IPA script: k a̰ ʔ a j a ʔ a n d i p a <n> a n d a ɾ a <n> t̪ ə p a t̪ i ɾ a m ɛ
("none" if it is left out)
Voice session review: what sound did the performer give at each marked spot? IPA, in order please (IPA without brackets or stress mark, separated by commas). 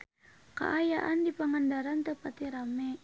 ŋ, n